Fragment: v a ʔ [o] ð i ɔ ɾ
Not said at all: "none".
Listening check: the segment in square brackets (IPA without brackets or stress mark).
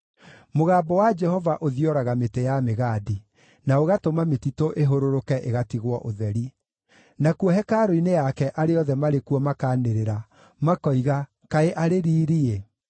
o